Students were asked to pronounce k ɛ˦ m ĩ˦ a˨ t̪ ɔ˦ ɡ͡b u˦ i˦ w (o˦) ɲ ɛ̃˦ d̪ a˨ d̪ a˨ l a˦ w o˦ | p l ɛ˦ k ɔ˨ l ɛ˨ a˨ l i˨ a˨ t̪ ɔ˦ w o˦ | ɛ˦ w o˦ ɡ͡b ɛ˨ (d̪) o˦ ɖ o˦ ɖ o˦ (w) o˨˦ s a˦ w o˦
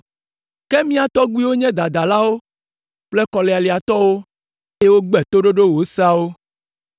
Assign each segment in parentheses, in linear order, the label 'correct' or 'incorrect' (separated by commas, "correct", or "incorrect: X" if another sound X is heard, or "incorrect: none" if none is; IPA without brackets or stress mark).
correct, incorrect: t̪, correct